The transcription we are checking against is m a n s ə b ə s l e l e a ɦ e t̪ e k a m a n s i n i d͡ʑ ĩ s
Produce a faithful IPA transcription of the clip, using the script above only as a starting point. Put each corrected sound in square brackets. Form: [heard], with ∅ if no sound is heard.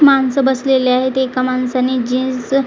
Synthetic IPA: m a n s ə b ə s l e l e a ɦ e t̪ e k a m a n s [a] n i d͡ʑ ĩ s